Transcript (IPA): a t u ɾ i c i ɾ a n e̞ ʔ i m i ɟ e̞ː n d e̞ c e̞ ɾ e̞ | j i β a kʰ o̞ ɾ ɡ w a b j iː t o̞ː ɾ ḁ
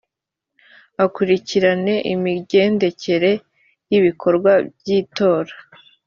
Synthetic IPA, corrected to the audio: a k u ɾ i c i ɾ a n e̞ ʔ i m i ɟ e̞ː n d e̞ c e̞ ɾ e̞ | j i β i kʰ o̞ ɾ ɡ w a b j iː t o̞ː ɾ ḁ